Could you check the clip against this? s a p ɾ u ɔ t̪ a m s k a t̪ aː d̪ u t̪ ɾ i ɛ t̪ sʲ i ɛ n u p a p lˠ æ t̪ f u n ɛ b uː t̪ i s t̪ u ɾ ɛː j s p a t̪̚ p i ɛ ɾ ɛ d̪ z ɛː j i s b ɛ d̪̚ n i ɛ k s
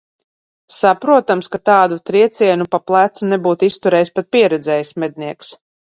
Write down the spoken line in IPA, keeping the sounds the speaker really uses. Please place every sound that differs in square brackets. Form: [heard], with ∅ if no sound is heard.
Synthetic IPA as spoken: s a p ɾ u ɔ t̪ a m s k a t̪ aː d̪ u t̪ ɾ i ɛ t̪ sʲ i ɛ n u p a p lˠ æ t̪ [s] u n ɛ b uː t̪ i s t̪ u ɾ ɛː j s p a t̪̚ p i ɛ ɾ ɛ d̪ z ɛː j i s [m] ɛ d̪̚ n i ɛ k s